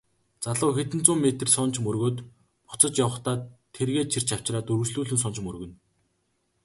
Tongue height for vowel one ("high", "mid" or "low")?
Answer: low